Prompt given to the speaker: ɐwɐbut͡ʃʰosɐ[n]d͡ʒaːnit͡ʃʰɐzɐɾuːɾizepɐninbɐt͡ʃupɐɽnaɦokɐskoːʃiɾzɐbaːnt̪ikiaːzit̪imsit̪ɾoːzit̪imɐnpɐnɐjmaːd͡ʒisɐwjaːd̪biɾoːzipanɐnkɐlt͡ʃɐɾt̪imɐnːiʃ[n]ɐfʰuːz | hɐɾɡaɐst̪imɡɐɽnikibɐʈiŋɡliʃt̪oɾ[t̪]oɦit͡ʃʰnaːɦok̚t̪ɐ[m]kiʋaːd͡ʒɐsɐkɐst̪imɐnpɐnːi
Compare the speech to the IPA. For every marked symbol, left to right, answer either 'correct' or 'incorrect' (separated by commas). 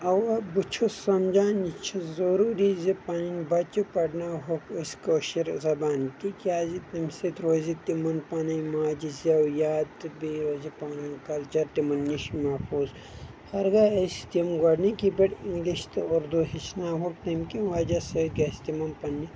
incorrect, incorrect, incorrect, correct